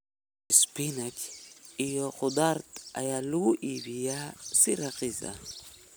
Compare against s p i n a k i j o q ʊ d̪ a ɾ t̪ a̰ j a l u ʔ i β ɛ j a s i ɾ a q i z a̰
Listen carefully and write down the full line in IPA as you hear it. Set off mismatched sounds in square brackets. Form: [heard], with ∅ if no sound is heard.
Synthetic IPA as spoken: s p i n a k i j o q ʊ d̪ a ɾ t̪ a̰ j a l u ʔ i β [i] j a s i ɾ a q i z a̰